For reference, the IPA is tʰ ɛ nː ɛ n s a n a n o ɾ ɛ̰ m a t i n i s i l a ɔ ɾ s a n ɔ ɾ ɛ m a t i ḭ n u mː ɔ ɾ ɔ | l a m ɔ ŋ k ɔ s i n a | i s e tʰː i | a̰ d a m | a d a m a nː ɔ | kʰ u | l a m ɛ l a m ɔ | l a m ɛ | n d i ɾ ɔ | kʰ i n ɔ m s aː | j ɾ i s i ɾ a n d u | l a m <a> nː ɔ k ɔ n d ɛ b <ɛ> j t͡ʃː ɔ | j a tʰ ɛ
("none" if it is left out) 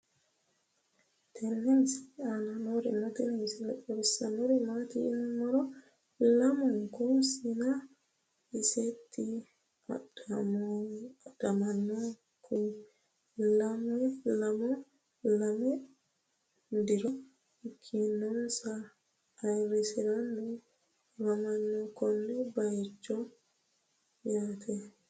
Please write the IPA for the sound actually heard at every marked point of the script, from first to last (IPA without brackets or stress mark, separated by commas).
a, a